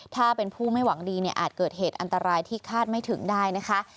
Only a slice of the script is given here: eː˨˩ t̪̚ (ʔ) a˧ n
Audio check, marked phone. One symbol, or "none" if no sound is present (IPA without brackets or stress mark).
ʔ